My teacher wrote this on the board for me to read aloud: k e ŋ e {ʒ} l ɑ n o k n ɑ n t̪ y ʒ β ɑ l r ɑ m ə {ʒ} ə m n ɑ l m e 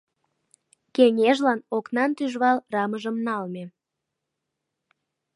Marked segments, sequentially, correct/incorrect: correct, correct

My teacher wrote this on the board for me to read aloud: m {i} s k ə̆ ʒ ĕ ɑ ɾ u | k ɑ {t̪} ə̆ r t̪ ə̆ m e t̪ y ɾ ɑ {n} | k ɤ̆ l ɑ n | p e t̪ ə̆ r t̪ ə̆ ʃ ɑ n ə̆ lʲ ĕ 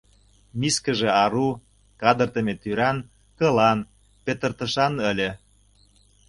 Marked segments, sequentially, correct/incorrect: correct, incorrect: d̪, correct

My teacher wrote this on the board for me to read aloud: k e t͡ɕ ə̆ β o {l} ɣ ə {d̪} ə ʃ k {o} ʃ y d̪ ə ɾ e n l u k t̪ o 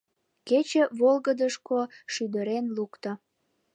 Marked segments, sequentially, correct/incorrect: correct, correct, correct

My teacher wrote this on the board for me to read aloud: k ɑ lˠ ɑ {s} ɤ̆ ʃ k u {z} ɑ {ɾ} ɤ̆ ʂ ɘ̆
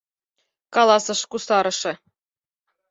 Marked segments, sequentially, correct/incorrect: correct, incorrect: s, correct

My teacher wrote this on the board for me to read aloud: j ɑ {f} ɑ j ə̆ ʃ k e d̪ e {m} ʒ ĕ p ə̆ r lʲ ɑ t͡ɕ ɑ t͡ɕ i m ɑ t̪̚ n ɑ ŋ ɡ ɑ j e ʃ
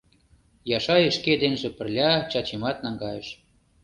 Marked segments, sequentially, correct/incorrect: incorrect: ʃ, incorrect: n

